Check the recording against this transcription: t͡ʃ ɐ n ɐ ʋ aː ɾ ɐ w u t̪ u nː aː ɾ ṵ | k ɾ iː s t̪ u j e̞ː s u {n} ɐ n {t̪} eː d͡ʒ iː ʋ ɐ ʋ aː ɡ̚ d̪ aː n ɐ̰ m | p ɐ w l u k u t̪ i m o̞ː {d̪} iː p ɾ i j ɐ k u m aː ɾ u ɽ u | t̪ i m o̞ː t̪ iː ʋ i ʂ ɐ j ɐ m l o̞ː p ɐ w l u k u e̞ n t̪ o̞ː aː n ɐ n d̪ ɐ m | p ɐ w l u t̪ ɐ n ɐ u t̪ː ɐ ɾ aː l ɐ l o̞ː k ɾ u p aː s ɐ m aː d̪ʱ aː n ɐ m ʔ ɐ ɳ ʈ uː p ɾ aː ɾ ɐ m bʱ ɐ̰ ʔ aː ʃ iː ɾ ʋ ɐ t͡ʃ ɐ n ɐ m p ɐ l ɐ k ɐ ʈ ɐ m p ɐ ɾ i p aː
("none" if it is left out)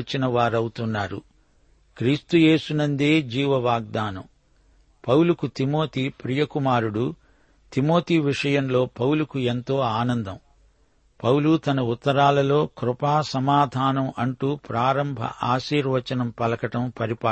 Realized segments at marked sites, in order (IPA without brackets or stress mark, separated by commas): n, d̪, t̪